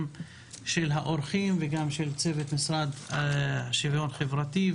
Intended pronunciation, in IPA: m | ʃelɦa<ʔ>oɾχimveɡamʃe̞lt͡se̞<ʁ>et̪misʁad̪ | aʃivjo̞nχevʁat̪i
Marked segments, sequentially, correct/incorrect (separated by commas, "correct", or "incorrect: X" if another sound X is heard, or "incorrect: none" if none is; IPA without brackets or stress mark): correct, incorrect: v